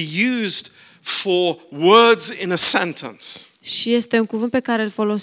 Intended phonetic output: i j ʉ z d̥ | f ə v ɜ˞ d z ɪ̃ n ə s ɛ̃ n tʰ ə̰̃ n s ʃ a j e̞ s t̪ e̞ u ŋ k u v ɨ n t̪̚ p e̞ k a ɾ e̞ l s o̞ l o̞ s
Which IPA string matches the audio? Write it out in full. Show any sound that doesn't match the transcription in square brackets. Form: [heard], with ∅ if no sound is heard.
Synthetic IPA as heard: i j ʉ z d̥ | f ə [w] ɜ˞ d z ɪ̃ n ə s ɛ̃ n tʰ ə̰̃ n s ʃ [i] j e̞ s t̪ e̞ u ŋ k u v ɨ n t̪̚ p e̞ k a ɾ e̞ l [f] o̞ l o̞ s